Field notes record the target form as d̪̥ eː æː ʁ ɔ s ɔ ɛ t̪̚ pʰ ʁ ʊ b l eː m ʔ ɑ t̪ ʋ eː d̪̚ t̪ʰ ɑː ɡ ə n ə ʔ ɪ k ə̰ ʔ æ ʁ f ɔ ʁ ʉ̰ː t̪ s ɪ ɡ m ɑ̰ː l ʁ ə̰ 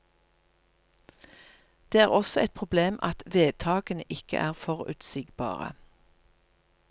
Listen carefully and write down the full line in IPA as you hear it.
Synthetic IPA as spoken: d̪̥ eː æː ʁ ɔ s ɔ ɛ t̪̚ pʰ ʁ ʊ b l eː m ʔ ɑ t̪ ʋ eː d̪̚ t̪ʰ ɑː ɡ ə n ə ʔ ɪ k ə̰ ʔ æː ʁ f ɔ ʁ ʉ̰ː t̪ s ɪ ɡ b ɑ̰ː ʁ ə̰